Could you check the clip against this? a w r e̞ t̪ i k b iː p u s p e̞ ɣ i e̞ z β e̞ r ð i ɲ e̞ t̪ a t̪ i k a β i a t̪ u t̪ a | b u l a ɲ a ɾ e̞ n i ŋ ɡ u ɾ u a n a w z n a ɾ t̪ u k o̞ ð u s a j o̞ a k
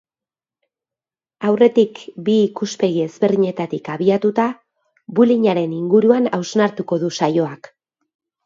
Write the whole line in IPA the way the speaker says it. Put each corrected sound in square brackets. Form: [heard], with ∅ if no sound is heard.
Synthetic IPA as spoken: a w r e̞ t̪ i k b iː [k] u s p e̞ ɣ i e̞ z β e̞ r ð i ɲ e̞ t̪ a t̪ i k a β i a t̪ u t̪ a | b u l [i] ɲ a ɾ e̞ n i ŋ ɡ u ɾ u a n a w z n a ɾ t̪ u k o̞ ð u s a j o̞ a k